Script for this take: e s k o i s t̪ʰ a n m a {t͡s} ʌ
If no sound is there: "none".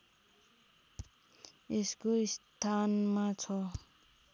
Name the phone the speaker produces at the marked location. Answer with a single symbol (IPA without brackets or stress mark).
t͡sʰ